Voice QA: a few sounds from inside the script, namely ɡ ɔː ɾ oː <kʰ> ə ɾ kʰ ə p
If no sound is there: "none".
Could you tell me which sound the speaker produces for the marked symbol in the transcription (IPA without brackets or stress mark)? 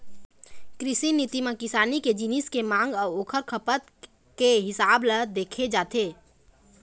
kʰ